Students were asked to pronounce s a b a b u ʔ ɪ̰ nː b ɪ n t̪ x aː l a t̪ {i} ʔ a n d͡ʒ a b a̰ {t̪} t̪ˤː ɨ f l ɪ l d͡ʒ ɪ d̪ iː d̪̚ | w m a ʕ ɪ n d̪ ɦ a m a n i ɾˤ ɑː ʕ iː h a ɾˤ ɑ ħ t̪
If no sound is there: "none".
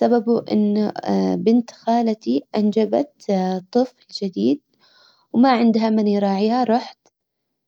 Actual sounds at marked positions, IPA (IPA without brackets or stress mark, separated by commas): i, t̪